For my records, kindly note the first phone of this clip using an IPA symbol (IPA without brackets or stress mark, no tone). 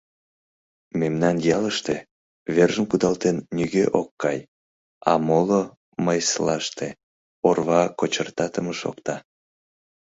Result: m